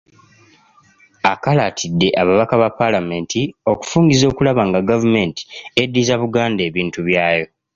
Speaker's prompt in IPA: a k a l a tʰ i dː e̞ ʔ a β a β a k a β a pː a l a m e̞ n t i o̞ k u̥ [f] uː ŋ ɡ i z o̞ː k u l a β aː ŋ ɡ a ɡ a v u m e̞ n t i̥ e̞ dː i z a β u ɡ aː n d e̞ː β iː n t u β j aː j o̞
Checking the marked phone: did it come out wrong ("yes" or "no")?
no